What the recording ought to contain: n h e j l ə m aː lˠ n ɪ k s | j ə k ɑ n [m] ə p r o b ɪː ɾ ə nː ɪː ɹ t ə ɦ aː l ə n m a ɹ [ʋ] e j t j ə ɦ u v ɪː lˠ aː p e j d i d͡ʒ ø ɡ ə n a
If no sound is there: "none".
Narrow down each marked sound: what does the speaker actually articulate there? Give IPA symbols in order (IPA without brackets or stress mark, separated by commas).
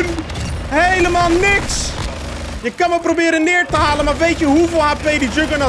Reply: m, ʋ